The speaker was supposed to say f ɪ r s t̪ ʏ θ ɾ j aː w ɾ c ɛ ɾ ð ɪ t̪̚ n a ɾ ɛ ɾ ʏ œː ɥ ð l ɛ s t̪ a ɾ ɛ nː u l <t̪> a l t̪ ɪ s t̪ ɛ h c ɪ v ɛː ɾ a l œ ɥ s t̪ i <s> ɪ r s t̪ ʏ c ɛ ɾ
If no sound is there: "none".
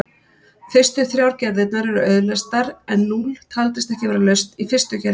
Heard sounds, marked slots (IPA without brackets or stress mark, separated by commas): t̪ʰ, f